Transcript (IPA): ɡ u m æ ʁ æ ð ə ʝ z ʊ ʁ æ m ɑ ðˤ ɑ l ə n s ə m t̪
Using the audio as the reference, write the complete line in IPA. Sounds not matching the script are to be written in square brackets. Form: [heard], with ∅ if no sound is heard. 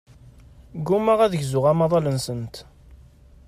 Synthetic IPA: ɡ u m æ ʁ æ ð ə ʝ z ʊ ʁ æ m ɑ ðˤ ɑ l ə n s ə [n] t̪